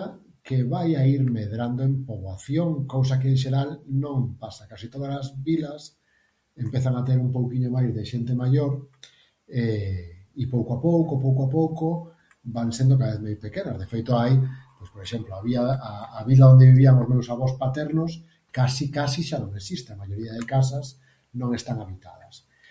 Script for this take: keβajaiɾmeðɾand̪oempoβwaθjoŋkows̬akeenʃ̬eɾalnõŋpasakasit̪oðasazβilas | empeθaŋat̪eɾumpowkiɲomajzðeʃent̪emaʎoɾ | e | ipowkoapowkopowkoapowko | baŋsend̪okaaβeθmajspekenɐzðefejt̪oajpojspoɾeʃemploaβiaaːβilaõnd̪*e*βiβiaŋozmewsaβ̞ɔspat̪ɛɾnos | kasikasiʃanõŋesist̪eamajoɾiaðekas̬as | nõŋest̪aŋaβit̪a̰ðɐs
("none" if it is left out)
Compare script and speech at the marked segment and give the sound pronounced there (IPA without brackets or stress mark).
e